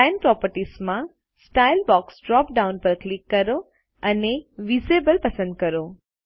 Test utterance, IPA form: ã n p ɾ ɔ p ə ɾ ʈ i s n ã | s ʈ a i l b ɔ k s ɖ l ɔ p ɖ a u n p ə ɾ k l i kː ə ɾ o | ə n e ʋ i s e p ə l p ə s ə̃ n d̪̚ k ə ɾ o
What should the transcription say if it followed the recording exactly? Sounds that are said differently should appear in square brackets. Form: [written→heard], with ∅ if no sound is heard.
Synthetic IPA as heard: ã n p ɾ ɔ p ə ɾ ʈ i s [n→m] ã | s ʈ a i l b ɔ k s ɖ [l→ɾ] ɔ p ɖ a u n p ə ɾ k l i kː ə ɾ o | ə n e ʋ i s e [p→b] ə l p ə s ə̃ n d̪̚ k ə ɾ o